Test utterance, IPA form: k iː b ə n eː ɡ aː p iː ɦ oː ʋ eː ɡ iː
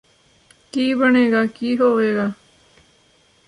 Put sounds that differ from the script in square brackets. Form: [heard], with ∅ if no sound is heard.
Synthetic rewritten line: k iː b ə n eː ɡ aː [k] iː ɦ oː ʋ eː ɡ [aː]